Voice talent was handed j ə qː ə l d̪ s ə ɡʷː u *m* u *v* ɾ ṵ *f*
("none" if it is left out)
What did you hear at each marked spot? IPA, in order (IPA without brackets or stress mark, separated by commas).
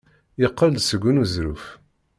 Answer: n, z, f